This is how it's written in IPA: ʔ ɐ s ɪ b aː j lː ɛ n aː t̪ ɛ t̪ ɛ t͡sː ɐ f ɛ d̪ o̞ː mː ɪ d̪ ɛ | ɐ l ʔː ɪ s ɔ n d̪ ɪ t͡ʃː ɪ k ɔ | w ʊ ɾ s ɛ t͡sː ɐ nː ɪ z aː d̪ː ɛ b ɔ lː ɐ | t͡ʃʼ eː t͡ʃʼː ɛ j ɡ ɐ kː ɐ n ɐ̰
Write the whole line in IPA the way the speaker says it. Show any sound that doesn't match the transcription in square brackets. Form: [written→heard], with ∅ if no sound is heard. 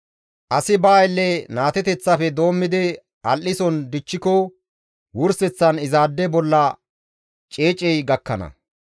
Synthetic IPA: ʔ ɐ s ɪ b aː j lː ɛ n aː t̪ ɛ t̪ ɛ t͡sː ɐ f ɛ d̪ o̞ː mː ɪ d̪ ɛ | ɐ l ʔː ɪ s ɔ n d̪ ɪ t͡ʃː ɪ k ɔ | w ʊ ɾ s ɛ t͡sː ɐ [nː→n] ɪ z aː d̪ː ɛ b ɔ lː ɐ | t͡ʃʼ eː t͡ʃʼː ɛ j ɡ ɐ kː ɐ n ɐ̰